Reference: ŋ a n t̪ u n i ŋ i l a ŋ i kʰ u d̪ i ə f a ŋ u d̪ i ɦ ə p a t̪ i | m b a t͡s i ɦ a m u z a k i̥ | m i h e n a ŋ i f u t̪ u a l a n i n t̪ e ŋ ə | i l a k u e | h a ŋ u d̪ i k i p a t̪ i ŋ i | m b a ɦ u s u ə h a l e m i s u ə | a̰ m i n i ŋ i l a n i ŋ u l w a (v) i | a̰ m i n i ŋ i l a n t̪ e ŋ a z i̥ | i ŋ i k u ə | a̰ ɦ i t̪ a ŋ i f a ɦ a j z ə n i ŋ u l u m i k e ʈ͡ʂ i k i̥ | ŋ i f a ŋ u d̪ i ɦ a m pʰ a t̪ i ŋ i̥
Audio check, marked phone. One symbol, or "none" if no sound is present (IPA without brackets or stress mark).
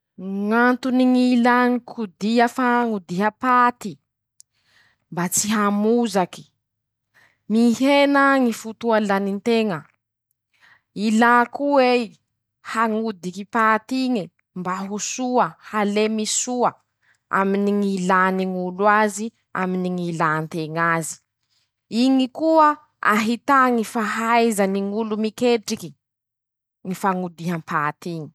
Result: z